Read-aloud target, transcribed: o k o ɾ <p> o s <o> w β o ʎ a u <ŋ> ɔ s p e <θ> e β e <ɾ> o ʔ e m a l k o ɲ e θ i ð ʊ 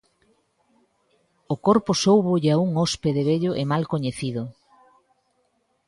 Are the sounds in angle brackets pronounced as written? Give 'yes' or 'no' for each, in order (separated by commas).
yes, yes, yes, no, no